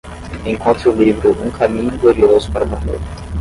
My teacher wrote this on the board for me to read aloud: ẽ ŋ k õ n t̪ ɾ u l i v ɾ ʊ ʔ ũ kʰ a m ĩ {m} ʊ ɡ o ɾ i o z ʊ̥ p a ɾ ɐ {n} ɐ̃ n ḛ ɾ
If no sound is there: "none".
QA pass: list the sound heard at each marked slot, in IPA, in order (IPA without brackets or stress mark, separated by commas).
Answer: ɲ, m